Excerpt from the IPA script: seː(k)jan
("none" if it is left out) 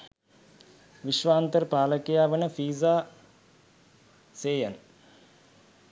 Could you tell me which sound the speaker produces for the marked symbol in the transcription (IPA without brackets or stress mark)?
none